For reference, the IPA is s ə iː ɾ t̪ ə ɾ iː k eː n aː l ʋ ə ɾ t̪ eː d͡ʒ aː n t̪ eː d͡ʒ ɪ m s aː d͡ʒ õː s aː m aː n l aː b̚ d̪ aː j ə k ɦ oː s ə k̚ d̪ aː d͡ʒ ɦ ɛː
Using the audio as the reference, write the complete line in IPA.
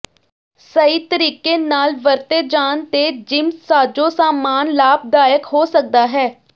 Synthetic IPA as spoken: s ə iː t̪ ə ɾ iː k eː n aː l ʋ ə ɾ t̪ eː d͡ʒ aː n t̪ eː d͡ʒ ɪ m s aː d͡ʒ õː s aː m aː n l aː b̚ d̪ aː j ə k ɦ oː s ə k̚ d̪ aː ɦ ɛː